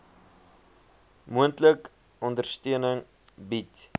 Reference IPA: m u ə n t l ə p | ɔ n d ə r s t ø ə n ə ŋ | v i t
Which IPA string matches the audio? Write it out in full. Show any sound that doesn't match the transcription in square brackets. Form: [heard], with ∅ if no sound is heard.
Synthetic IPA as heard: m u ə n t l ə [k] | ɔ n d ə r s t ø ə n ə ŋ | [b] i t